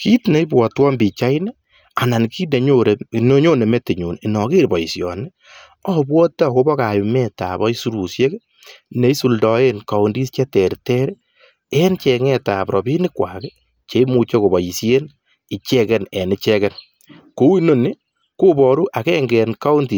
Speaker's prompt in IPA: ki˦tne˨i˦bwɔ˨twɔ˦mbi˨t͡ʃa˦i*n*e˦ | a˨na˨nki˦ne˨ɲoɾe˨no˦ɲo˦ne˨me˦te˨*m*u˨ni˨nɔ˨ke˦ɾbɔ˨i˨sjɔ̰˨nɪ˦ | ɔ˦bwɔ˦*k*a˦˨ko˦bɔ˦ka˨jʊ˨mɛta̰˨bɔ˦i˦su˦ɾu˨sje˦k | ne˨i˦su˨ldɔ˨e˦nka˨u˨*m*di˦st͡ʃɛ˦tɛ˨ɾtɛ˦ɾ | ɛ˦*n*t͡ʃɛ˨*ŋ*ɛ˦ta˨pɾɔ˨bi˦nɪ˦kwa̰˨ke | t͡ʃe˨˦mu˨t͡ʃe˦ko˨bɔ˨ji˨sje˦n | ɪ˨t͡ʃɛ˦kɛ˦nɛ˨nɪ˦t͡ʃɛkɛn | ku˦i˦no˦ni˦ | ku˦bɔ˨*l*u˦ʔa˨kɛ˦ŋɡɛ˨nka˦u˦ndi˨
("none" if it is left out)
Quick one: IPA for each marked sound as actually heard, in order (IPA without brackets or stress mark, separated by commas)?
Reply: n, ɲ, t, n, n, ŋ, ɾ